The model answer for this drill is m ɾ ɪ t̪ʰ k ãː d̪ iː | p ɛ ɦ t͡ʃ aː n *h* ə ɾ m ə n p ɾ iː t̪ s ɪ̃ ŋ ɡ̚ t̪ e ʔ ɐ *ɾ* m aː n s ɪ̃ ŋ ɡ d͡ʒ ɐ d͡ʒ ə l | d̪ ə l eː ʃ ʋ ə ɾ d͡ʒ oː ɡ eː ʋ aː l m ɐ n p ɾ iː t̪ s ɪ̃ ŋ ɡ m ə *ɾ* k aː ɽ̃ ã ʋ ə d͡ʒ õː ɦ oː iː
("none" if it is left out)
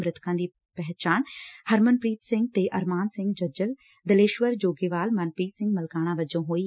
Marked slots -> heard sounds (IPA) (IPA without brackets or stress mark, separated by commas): h, ɾ, l